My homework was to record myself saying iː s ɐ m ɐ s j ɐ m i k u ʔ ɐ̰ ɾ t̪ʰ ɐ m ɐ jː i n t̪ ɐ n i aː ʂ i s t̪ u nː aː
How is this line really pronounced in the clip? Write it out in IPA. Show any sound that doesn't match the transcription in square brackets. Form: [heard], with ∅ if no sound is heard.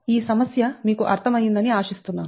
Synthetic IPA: iː s ɐ m ɐ s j ɐ m [iː] k u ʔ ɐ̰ ɾ t̪ʰ ɐ m ɐ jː i n [d̪] ɐ n i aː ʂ i s t̪ u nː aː